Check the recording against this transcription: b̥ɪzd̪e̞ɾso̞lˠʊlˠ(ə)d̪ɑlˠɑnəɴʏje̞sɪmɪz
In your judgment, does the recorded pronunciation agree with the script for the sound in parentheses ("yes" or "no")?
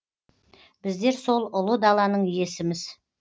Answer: yes